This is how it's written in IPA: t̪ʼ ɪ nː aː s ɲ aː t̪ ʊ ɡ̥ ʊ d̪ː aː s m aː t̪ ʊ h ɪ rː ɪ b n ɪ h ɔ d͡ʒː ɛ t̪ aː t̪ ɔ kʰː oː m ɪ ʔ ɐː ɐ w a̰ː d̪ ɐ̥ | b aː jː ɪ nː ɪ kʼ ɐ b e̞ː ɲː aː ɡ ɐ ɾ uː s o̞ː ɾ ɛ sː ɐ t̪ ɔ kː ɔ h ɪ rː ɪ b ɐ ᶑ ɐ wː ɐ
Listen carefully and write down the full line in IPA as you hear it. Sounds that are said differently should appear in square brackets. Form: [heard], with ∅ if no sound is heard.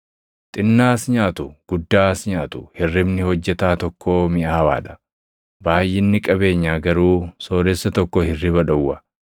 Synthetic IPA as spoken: t̪ʼ ɪ nː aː s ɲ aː t̪ ʊ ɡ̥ ʊ d̪ː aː s [ɲ] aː t̪ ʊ h ɪ rː ɪ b n ɪ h ɔ d͡ʒː ɛ t̪ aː t̪ ɔ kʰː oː m ɪ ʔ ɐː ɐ w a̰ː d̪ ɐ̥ | b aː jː ɪ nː ɪ kʼ ɐ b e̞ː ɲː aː ɡ ɐ ɾ uː s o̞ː ɾ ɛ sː ɐ t̪ ɔ kː ɔ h ɪ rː ɪ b ɐ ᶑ ɐ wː ɐ